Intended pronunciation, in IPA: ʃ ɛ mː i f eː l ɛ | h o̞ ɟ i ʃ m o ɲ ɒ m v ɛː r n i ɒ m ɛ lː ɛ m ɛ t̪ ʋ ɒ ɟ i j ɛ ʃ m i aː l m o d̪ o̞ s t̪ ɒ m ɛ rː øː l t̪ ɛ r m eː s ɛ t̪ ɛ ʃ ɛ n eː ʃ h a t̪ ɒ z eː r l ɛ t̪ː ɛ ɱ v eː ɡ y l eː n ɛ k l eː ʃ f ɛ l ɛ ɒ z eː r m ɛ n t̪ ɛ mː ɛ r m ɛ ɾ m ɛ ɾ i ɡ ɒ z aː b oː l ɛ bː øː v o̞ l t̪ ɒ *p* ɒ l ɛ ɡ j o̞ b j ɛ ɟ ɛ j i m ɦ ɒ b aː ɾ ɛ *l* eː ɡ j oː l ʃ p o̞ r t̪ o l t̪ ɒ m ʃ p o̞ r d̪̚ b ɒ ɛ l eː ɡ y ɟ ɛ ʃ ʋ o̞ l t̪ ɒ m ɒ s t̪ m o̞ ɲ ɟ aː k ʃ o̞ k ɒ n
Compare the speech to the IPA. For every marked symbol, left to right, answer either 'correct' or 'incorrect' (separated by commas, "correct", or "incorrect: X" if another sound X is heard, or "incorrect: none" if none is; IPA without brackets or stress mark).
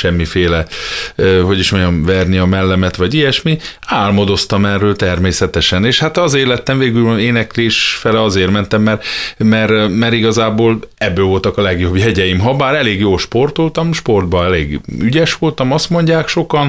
incorrect: k, correct